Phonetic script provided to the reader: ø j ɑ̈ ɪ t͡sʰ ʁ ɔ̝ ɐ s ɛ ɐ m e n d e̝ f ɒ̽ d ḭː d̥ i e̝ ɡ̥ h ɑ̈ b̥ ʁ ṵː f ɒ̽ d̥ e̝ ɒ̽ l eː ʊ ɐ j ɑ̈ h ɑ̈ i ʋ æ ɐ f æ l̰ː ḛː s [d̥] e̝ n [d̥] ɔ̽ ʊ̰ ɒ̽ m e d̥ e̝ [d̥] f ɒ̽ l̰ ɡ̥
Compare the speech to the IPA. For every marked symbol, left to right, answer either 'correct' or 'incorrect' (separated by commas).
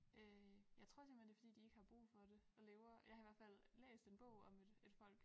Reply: correct, incorrect, correct